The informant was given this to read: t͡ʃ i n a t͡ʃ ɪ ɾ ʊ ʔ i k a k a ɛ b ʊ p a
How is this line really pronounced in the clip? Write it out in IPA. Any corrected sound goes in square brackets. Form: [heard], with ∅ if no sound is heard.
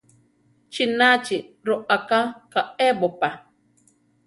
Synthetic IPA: t͡ʃ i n a t͡ʃ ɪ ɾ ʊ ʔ [a] k a k a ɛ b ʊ p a

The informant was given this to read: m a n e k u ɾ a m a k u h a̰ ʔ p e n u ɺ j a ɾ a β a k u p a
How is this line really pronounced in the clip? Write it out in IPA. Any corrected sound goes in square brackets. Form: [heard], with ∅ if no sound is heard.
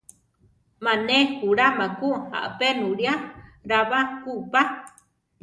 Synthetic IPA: m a n e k u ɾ a m a k u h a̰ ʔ p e n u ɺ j a ɾ a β a k u p a

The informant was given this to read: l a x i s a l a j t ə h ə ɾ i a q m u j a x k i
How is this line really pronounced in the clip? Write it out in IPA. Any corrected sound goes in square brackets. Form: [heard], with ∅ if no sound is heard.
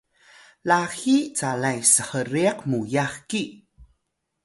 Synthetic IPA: l a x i [t͡s] a l a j [s] ə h ə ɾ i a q m u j a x k i

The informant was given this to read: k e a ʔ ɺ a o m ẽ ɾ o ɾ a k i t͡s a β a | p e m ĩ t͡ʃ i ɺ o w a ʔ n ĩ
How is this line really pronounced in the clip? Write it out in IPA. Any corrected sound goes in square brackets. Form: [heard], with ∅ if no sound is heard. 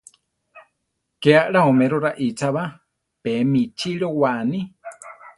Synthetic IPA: k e a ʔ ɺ a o m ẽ ɾ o ɾ a [ʔ] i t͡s a β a | p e m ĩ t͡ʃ i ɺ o w a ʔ n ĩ

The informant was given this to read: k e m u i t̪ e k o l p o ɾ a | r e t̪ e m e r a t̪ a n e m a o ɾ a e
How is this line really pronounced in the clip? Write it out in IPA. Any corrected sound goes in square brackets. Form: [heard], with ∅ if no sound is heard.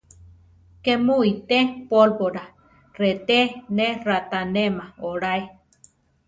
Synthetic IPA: k e m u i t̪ e [p] o l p o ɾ a | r e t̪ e [n] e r a t̪ a n e m a o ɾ a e

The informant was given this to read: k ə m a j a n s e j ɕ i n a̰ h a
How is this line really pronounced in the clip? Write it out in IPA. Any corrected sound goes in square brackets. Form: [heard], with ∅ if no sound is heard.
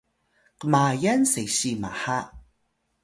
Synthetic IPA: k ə m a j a n s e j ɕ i [m] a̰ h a

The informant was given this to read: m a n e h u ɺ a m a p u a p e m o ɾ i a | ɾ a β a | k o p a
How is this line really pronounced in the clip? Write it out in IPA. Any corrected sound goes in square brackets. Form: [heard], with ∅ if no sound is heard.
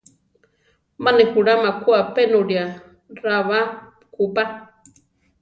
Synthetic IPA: m a n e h u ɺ a m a [k] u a p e [n] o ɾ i a | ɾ a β a | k [u] p a

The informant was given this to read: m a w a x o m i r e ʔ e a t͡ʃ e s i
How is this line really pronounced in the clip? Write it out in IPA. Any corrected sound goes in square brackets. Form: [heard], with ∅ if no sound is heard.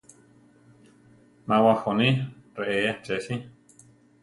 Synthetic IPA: m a w a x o [n] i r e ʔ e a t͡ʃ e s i

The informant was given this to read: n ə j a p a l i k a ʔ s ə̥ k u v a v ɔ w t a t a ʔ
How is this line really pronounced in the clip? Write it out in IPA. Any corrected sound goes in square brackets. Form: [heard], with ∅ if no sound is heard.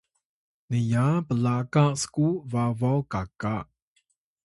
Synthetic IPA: n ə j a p [ə] l [a] k a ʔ s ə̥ k u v a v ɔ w [k] a [k] a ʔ

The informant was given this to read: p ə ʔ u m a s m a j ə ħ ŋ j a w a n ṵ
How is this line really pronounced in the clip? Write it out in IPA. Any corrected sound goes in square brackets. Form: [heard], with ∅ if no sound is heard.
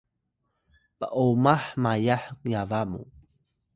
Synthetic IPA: p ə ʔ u m a [ħ] m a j [a] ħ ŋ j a [v] a [m] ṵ

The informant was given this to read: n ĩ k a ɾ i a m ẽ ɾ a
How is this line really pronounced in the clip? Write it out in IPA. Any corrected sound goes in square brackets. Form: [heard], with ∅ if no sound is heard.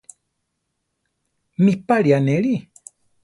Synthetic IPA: [m] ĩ [p] a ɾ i a [n] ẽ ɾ [i]

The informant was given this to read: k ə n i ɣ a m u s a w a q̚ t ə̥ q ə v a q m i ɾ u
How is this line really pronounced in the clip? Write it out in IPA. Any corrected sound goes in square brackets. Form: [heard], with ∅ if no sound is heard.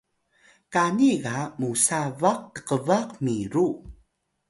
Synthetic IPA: k [a] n i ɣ a m u s a [v] a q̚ t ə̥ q ə v a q m i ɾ u

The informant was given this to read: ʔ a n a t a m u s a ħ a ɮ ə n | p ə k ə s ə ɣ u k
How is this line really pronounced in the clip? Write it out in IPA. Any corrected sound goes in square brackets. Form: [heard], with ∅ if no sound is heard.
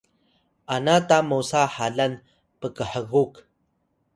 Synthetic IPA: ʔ a n a t a m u s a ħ a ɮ [a] n | p ə k ə [ħ] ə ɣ u k

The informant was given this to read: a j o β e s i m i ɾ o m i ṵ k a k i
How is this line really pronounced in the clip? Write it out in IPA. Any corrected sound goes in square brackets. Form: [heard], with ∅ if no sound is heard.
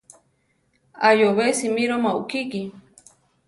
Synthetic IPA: a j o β e s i m i ɾ o m [a] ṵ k [i] k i

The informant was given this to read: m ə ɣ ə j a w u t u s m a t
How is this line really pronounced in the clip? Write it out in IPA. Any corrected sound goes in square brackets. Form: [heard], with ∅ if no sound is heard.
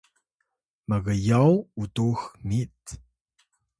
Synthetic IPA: m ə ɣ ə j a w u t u [x] m [i] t

